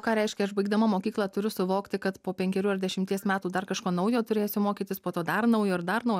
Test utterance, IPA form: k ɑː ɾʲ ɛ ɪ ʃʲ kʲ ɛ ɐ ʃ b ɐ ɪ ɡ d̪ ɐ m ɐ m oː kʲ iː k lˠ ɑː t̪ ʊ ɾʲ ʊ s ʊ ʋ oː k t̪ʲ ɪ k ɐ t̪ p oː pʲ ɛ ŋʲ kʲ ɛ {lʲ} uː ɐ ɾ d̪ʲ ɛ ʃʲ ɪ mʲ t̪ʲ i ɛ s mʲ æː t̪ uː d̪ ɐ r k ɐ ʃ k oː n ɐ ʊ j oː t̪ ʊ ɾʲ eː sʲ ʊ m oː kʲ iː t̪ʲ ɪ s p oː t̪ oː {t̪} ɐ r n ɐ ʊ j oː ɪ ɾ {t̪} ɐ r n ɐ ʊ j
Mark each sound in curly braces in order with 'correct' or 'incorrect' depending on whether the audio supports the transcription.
incorrect: ɾʲ, incorrect: d̪, incorrect: d̪

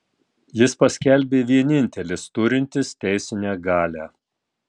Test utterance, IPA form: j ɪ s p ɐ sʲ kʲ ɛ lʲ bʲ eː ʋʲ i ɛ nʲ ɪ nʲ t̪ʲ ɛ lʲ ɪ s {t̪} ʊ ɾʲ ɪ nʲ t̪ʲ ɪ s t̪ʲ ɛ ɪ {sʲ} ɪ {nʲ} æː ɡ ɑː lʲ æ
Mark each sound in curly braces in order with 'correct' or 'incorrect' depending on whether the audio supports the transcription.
correct, correct, correct

